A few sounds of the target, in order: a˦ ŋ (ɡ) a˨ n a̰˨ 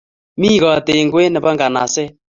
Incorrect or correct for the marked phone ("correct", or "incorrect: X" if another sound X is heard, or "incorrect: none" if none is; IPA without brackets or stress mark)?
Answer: correct